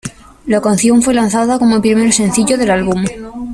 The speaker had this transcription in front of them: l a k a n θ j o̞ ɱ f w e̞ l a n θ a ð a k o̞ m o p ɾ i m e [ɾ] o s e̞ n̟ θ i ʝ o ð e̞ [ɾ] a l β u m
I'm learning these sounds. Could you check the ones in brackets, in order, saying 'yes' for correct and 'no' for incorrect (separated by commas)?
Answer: yes, no